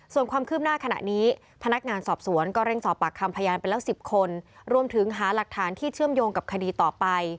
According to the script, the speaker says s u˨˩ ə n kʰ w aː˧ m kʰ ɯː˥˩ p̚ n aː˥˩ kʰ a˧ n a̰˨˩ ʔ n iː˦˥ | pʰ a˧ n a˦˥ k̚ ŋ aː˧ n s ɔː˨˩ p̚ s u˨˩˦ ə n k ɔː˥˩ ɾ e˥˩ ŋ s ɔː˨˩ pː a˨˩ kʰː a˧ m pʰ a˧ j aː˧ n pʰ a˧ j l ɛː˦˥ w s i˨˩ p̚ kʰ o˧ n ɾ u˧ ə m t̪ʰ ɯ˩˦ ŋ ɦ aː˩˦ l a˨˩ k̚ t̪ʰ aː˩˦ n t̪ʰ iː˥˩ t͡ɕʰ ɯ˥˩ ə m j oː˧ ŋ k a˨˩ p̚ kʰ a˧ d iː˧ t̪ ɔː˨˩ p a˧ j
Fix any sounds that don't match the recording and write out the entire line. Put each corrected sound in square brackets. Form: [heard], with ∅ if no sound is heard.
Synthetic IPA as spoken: s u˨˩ ə n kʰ w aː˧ m kʰ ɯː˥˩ p̚ n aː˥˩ kʰ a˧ n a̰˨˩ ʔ n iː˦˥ | pʰ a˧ n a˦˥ k̚ ŋ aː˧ n s ɔː˨˩ p̚ s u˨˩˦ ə n k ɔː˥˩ ɾ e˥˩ ŋ s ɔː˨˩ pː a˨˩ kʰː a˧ m pʰ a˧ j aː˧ n [p] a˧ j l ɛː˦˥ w s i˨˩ p̚ kʰ o˧ n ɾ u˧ ə m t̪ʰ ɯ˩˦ ŋ ɦ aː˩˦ l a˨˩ k̚ t̪ʰ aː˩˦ n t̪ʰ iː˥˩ t͡ɕʰ ɯ˥˩ ə m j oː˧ ŋ k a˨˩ p̚ kʰ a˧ d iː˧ t̪ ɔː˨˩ p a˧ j